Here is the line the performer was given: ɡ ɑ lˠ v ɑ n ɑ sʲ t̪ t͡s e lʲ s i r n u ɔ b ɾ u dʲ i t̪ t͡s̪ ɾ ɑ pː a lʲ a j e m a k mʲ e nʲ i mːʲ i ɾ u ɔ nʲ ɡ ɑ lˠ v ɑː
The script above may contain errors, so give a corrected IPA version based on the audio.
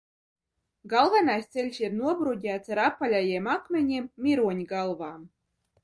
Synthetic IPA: ɡ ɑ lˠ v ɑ n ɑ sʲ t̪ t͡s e lʲ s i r n u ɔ b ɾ u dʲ æ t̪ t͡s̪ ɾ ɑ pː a lʲ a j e m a k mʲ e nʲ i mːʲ i ɾ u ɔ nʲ ɡ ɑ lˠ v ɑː